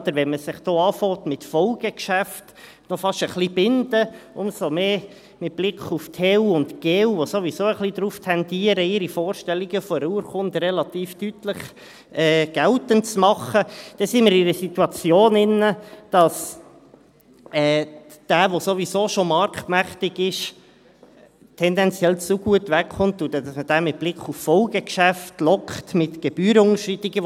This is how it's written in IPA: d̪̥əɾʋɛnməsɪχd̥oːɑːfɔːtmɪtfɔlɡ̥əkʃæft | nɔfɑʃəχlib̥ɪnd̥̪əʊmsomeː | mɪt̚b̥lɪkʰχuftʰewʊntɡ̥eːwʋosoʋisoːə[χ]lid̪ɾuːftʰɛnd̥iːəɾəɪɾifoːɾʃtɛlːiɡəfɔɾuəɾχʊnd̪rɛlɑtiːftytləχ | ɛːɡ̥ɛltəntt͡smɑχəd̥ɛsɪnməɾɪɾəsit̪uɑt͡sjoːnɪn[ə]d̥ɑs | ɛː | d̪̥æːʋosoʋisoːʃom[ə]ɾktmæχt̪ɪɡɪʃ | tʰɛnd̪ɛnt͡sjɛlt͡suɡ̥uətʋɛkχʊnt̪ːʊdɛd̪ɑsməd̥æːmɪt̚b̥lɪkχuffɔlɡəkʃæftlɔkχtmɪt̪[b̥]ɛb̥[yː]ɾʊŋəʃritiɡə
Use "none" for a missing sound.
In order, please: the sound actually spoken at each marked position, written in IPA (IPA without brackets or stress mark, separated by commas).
χ, ə, ɑ, ɡ̥, yː